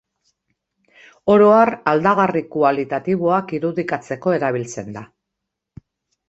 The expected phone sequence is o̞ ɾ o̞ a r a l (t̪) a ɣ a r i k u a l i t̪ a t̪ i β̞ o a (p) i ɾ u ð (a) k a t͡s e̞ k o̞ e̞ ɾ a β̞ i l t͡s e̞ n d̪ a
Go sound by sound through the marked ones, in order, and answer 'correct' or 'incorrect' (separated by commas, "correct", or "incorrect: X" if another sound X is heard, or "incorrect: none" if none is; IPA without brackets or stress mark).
incorrect: d̪, incorrect: k, incorrect: i